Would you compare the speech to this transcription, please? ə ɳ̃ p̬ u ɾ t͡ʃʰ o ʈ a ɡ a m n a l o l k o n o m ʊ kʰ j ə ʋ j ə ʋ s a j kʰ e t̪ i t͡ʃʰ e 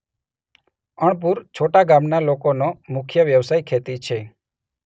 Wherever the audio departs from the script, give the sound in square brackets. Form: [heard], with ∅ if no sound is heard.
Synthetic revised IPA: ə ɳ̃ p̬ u ɾ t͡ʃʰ o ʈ a ɡ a m n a l o [∅] k o n o m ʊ kʰ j ə ʋ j ə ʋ s a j kʰ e t̪ i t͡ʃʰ e